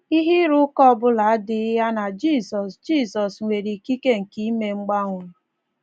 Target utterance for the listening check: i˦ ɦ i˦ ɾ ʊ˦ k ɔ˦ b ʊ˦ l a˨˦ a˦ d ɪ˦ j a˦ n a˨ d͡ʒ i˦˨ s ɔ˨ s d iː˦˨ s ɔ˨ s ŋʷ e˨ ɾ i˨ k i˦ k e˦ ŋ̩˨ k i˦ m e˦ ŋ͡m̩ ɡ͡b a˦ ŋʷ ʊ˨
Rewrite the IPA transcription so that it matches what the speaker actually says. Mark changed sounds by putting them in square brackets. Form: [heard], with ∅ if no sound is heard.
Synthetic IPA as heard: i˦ ɦ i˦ ɾ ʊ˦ k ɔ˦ b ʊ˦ l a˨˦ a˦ d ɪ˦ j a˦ n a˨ d͡ʒ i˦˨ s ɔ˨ s [d͡ʒ] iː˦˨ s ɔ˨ s ŋʷ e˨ ɾ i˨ k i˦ k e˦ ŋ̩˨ k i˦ m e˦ ŋ͡m̩ ɡ͡b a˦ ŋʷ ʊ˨

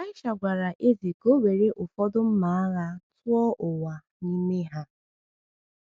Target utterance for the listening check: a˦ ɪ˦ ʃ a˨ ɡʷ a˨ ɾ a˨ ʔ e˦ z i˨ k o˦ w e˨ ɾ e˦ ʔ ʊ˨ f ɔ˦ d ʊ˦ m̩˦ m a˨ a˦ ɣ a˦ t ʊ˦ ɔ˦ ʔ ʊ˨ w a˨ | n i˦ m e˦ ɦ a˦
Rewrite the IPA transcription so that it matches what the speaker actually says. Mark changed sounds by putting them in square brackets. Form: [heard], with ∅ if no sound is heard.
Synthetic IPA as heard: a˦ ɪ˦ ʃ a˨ ɡʷ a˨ ɾ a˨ ʔ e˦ z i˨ k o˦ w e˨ ɾ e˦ ʔ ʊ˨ f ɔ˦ d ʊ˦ m̩˦ m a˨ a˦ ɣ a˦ t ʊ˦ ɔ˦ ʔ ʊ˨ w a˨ | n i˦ m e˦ ɦ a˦

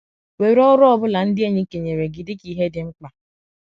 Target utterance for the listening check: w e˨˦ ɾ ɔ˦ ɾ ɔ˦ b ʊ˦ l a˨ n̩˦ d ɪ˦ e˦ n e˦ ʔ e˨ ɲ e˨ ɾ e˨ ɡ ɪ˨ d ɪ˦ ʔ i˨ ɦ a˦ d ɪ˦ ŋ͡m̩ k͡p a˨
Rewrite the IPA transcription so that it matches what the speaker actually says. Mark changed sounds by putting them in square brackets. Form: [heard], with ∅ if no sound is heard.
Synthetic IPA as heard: w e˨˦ ɾ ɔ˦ ɾ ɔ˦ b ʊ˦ l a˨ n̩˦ d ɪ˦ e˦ [ɲ] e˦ [k] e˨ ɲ e˨ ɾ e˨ ɡ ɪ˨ d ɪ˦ [k] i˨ ɦ [e˦] d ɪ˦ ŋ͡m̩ k͡p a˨

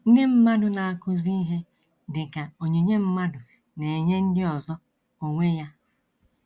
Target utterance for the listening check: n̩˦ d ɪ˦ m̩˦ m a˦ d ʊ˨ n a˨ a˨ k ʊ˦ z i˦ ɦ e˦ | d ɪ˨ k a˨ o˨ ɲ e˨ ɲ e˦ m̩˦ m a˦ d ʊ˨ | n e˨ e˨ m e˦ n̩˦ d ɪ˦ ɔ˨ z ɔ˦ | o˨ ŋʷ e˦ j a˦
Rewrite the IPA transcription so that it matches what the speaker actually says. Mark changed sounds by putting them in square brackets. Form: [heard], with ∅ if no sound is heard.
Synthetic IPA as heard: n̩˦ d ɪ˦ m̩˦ m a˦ d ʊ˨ n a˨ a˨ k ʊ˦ z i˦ ɦ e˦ | d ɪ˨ k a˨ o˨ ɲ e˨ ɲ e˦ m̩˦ m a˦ d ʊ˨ | n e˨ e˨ [ɲ] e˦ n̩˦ d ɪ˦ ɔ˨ z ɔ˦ | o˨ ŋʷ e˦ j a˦

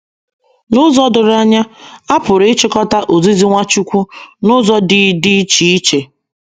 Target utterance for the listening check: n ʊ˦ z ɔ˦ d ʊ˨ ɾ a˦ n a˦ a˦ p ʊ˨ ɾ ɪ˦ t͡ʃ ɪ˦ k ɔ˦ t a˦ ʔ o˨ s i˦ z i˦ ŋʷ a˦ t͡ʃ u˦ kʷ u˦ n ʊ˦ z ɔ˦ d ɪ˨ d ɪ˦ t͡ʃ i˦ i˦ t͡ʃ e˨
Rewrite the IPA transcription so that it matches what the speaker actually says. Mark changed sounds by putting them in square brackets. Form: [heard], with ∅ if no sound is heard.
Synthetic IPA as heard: n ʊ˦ z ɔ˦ d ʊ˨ ɾ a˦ [ɲ] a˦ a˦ p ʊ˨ ɾ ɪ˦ t͡ʃ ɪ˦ k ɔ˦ t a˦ ʔ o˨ [z] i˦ z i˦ ŋʷ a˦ t͡ʃ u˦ kʷ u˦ n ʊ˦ z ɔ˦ d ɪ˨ d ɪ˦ t͡ʃ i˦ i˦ t͡ʃ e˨

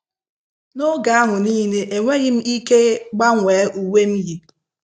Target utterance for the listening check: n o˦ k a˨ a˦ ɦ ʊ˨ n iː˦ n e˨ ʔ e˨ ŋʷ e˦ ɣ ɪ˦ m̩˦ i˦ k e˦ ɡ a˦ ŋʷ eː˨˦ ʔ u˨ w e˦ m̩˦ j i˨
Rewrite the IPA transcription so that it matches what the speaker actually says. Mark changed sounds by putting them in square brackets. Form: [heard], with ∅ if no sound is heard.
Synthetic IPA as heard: n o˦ [ɡ] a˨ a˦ ɦ ʊ˨ n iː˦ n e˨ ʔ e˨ ŋʷ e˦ ɣ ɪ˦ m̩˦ i˦ k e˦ [ɡ͡b] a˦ ŋʷ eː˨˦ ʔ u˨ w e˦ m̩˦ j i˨

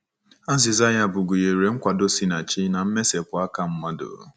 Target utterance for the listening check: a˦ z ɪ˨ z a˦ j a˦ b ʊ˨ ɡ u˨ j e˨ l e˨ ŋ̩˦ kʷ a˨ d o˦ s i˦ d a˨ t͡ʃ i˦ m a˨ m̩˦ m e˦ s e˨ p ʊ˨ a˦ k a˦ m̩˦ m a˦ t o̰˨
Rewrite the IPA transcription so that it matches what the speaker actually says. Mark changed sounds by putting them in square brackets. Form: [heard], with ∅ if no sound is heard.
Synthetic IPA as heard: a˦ z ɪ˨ z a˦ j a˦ b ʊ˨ ɡ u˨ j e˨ [ɾ] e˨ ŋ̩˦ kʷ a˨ d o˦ s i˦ [n] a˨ t͡ʃ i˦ [n] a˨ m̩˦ m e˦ s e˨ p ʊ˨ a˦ k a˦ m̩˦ m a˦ [d] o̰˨

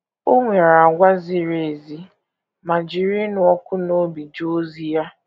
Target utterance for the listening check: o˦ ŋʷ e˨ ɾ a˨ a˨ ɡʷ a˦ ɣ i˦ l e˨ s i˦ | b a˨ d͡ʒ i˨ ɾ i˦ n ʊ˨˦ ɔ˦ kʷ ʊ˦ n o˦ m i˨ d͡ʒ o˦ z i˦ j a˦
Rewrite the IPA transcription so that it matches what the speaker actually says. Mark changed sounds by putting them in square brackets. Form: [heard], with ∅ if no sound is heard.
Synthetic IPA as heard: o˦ ŋʷ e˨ ɾ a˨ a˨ ɡʷ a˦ [z] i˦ [ɾ] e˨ [z] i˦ | [m] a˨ d͡ʒ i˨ ɾ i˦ n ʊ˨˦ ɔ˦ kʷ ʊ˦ n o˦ [b] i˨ d͡ʒ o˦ z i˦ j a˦

